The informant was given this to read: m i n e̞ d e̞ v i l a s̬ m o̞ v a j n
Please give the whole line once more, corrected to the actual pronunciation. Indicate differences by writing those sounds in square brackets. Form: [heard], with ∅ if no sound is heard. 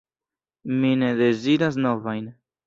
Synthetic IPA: m i n e̞ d e̞ [z] i [ɾ] a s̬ [n] o̞ v a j n